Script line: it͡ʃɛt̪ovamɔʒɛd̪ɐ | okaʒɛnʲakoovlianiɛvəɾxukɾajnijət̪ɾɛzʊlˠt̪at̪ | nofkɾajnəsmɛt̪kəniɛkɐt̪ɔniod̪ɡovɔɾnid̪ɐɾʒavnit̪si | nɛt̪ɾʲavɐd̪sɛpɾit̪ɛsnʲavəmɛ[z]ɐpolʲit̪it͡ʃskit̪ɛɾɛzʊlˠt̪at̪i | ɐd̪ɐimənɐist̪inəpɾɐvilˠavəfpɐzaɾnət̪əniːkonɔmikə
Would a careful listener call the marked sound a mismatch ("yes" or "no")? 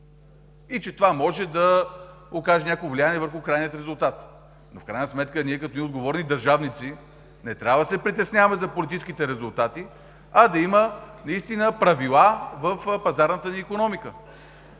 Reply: no